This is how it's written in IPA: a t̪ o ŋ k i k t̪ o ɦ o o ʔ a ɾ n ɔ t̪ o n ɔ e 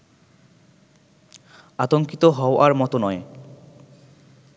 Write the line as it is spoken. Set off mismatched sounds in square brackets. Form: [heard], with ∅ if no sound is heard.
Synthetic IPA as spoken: a t̪ o ŋ k i [∅] t̪ o ɦ [ɔ] o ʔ a ɾ [m] ɔ t̪ o n ɔ e